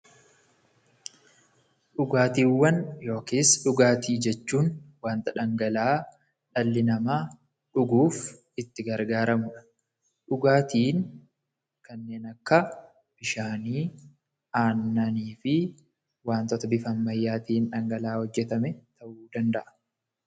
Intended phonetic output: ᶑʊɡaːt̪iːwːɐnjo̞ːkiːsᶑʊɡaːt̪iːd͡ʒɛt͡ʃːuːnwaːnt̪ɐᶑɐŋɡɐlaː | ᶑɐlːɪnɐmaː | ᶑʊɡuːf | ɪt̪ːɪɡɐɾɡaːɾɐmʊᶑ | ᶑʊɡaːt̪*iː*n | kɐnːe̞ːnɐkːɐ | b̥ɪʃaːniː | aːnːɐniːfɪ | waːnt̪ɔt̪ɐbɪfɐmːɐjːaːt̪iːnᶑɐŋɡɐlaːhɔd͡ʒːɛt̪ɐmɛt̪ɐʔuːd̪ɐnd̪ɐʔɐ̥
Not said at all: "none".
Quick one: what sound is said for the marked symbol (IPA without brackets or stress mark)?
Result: iː